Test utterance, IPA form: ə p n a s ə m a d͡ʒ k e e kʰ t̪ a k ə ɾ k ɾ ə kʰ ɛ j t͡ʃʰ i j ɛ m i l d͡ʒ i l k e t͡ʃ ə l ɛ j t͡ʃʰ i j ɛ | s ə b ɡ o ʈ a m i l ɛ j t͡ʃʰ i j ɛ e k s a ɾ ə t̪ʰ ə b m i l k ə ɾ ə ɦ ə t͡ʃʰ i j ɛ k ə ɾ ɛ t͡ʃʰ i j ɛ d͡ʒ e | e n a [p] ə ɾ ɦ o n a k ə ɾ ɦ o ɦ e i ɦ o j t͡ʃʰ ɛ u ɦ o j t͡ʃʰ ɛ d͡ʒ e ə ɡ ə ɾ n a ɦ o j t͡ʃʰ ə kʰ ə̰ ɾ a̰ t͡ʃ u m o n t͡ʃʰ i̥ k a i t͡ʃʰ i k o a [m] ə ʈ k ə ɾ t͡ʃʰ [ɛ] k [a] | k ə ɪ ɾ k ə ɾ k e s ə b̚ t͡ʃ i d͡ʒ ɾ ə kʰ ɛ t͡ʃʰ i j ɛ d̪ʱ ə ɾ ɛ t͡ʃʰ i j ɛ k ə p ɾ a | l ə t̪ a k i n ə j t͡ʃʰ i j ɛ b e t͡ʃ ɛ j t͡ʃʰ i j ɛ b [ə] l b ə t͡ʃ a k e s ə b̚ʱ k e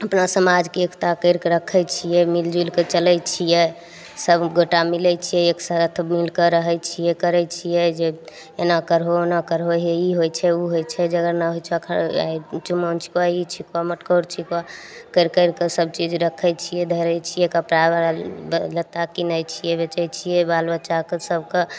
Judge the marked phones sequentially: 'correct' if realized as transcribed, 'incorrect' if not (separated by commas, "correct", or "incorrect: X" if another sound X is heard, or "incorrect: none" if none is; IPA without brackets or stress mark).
incorrect: k, correct, incorrect: i, correct, incorrect: a